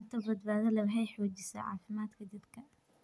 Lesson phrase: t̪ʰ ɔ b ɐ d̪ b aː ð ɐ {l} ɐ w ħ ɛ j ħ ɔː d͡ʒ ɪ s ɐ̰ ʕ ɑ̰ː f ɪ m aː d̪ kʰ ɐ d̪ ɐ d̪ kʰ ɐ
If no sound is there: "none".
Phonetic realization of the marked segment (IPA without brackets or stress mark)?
l